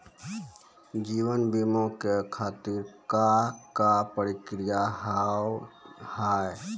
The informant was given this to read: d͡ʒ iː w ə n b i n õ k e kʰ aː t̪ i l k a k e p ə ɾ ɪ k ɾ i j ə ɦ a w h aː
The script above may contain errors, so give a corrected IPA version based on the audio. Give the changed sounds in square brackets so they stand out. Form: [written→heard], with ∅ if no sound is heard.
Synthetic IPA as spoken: d͡ʒ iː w ə n b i [n→m] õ k e kʰ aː t̪ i [l→ɾ] k a k [e→a] p ə ɾ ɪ k ɾ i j [ə→a] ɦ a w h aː